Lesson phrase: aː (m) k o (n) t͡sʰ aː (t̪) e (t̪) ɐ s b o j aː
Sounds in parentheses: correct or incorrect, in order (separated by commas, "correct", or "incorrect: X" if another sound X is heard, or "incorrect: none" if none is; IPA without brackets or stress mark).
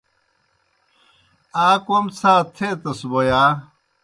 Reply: incorrect: none, incorrect: m, incorrect: t̪ʰ, correct